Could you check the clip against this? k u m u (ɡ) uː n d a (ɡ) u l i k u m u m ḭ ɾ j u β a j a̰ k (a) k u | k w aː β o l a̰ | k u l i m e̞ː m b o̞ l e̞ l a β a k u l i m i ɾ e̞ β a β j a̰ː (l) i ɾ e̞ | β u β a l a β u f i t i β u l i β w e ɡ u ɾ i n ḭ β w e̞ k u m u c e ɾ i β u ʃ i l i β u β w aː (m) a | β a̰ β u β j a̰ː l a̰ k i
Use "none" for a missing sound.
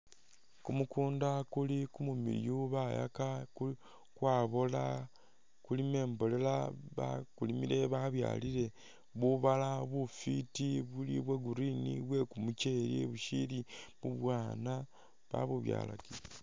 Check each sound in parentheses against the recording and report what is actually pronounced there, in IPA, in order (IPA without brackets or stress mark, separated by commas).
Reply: k, k, a, l, n